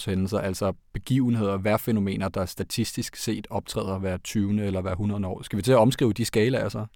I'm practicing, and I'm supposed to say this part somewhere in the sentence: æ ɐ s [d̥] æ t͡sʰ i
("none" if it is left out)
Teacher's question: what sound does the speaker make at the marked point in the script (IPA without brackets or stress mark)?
d̥